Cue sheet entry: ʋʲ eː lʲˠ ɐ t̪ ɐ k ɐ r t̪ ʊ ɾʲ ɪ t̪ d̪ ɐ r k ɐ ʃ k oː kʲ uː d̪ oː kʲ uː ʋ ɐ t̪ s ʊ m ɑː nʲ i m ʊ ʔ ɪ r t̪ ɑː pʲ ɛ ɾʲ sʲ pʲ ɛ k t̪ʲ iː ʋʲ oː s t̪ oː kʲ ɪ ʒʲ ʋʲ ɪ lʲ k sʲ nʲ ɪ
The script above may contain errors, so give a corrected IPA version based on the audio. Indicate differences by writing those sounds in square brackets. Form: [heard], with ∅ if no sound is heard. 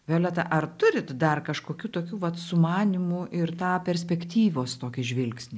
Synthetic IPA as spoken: ʋʲ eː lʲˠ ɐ t̪ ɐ [ʔ] ɐ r t̪ ʊ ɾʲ ɪ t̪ d̪ ɐ r k ɐ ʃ k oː kʲ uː [t̪] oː kʲ uː ʋ ɐ t̪ s ʊ m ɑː nʲ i m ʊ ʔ ɪ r t̪ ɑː pʲ ɛ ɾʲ sʲ pʲ ɛ k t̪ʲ iː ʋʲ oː s t̪ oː kʲ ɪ ʒʲ ʋʲ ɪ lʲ k sʲ nʲ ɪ